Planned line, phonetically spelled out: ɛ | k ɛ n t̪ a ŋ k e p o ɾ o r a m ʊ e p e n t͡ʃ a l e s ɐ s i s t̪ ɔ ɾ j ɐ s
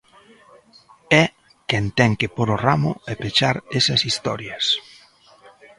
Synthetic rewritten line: ɛ | k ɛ n t̪ ɛ ŋ k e p o ɾ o r a m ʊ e p e t͡ʃ a ɾ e s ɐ s i s t̪ ɔ ɾ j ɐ s